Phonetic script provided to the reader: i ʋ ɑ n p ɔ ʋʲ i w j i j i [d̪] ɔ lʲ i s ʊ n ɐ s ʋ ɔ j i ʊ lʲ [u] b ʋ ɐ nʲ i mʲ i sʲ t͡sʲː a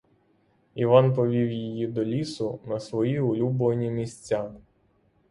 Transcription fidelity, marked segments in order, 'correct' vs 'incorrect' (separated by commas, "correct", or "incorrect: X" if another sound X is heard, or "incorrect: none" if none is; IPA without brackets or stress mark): correct, correct